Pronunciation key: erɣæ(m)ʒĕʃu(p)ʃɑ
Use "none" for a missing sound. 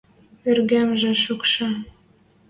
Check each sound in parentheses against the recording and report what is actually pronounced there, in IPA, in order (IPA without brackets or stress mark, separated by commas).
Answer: m, k